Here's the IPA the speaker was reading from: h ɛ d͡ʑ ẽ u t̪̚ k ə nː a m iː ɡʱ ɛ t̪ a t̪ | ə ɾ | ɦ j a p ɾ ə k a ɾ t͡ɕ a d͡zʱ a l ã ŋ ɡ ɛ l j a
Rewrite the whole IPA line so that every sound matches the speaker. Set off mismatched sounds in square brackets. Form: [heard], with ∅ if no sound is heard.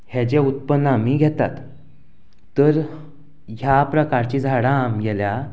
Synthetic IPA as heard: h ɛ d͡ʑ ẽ u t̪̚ [p] ə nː a m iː ɡʱ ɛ t̪ a t̪ | ə ɾ | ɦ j a p ɾ ə k a ɾ t͡ɕ [i] d͡zʱ a [ɽ] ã [m] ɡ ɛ l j a